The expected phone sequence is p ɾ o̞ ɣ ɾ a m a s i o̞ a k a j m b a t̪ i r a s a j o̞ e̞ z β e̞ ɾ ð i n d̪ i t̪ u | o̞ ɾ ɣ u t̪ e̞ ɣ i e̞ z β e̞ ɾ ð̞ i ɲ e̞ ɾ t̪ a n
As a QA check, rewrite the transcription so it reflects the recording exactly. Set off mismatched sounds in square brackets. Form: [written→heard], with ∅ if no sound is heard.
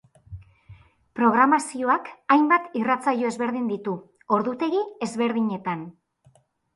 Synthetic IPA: p ɾ o̞ ɣ ɾ a m a s i o̞ a k a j m b a t̪ i r a [s→t͡s] a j o̞ e̞ z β e̞ ɾ ð i n d̪ i t̪ u | o̞ ɾ [ɣ→ð] u t̪ e̞ ɣ i e̞ z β e̞ ɾ ð̞ i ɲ e̞ [ɾ→∅] t̪ a n